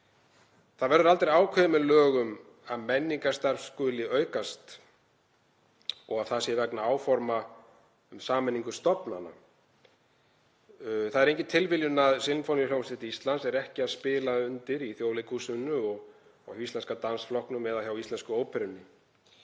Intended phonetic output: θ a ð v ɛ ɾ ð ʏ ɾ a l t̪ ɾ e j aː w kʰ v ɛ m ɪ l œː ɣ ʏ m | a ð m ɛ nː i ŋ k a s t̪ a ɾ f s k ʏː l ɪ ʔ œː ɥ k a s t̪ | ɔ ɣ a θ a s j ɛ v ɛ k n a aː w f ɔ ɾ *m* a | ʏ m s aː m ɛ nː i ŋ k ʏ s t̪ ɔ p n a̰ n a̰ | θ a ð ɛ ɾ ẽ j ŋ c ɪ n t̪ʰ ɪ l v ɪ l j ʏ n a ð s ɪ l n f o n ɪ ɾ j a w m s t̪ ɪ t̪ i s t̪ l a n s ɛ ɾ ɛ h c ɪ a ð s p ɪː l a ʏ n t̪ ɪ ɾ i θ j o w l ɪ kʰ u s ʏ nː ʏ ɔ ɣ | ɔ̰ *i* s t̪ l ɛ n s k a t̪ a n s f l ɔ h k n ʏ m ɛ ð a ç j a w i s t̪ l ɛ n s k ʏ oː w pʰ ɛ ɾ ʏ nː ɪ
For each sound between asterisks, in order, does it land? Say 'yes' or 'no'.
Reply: yes, yes

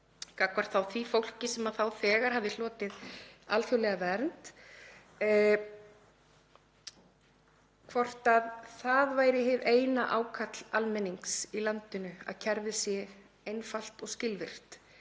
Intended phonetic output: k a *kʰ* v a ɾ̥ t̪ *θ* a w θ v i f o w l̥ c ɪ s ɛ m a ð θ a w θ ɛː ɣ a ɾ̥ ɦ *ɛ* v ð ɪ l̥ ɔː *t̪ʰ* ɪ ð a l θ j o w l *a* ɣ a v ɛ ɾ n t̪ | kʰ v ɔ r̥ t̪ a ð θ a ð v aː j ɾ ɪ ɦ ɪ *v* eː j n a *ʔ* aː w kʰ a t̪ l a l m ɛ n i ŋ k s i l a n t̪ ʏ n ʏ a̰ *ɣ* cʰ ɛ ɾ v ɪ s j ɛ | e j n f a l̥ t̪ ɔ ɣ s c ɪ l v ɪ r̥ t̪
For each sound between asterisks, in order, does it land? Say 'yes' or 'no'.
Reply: no, yes, no, no, no, yes, yes, no

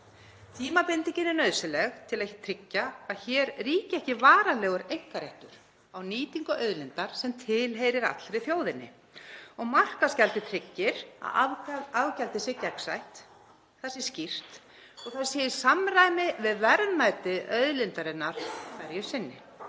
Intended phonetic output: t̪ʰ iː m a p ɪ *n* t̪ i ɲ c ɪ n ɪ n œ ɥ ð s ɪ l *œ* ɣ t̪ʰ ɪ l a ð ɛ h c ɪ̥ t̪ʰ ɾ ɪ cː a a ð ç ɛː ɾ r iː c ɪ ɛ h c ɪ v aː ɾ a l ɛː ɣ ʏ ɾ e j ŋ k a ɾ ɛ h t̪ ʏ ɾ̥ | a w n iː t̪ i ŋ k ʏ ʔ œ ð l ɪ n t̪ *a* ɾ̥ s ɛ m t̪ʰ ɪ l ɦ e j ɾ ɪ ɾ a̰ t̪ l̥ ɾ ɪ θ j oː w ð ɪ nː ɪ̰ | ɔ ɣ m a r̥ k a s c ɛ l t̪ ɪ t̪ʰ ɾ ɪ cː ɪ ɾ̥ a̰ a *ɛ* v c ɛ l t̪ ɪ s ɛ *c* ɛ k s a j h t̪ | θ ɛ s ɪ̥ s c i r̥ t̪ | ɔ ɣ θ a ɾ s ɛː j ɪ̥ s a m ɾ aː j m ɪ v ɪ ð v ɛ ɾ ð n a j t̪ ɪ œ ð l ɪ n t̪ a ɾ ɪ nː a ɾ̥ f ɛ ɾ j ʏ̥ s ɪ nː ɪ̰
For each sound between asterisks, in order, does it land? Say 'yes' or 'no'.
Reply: yes, no, yes, no, yes

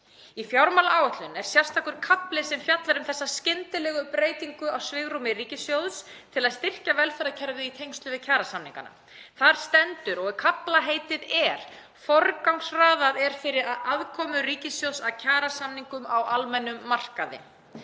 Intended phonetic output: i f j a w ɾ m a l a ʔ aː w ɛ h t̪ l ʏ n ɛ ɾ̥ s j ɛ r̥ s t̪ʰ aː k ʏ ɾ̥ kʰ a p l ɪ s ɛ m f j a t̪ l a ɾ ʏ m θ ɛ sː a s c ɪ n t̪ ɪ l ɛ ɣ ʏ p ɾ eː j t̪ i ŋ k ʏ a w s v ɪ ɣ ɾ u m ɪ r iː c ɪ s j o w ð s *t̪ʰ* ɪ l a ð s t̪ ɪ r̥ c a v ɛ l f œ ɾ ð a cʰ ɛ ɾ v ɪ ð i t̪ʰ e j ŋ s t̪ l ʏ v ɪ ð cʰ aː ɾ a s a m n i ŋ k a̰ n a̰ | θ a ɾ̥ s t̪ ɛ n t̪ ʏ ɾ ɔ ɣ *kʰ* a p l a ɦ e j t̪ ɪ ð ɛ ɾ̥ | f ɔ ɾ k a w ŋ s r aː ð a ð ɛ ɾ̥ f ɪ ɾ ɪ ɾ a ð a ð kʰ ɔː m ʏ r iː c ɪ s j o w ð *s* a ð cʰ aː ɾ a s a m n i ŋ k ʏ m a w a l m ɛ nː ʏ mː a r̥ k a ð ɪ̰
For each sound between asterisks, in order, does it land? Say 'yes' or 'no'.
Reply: yes, yes, yes

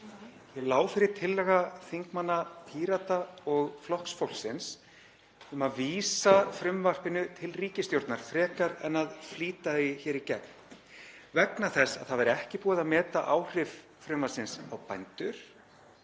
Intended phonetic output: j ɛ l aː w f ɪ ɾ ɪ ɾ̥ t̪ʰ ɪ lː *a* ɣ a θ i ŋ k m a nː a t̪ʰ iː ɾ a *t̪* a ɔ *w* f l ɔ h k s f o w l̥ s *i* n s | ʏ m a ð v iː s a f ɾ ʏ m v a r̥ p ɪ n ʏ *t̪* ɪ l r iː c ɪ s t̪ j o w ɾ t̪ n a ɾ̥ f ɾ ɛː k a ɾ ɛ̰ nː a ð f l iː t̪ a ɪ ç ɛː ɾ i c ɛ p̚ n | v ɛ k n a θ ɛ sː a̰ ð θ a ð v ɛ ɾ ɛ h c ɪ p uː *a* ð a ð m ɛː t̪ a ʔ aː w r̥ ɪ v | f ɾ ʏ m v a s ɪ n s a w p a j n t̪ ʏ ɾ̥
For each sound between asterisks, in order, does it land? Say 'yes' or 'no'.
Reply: no, yes, no, no, no, yes

